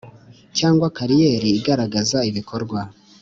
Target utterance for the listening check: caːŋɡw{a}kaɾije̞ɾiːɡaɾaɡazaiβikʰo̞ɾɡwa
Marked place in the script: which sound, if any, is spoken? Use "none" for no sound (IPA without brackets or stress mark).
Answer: a